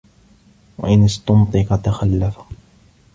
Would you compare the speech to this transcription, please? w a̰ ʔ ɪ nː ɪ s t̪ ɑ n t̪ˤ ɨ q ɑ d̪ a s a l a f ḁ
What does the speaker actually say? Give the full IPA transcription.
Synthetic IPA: w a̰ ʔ ɪ n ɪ s t̪ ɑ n t̪ˤ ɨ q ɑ t̪ a x a lː a f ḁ